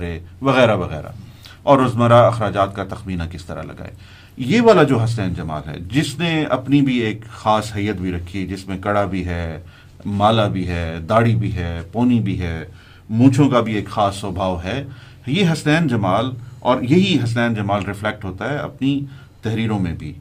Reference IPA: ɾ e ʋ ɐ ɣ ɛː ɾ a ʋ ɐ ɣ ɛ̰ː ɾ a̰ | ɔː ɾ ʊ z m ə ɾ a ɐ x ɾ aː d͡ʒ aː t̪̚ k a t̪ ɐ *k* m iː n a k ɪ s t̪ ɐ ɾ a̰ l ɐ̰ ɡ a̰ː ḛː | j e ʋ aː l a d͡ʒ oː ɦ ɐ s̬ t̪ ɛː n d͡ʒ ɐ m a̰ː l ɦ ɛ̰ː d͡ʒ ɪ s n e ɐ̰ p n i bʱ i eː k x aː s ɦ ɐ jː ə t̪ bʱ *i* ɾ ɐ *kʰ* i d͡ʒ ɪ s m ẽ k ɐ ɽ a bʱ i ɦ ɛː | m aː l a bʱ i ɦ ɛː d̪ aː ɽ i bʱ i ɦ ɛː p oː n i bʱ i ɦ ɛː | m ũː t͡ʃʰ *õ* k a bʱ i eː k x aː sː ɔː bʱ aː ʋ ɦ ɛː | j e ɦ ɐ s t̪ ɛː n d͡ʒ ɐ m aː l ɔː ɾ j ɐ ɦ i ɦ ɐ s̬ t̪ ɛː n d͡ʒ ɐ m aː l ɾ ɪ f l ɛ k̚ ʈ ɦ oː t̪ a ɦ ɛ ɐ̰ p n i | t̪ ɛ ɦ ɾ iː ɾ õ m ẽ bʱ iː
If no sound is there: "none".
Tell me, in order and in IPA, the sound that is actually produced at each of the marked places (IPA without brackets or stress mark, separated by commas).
x, i, kʰ, õ